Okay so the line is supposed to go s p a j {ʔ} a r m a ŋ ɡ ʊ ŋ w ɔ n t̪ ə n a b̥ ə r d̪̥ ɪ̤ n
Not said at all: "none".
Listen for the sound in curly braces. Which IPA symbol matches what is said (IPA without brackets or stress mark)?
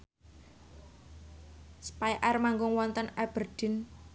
ʔ